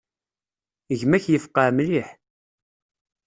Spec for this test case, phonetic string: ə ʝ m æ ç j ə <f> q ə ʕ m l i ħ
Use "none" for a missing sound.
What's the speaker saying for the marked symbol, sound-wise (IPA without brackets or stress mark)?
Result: f